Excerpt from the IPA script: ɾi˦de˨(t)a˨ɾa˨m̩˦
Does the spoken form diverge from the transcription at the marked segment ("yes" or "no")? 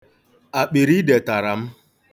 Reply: no